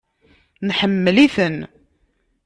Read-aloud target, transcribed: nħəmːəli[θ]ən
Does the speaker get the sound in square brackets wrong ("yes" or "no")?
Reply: no